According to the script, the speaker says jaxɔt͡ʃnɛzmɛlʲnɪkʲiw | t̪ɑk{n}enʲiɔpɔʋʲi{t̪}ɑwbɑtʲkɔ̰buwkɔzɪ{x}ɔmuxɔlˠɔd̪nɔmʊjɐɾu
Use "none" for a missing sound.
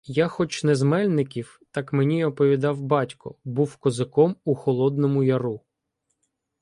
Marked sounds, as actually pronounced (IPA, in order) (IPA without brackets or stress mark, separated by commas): m, d̪, k